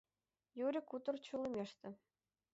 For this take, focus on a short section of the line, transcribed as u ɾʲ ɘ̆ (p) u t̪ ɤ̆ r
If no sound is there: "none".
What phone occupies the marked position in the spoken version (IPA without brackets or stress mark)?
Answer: k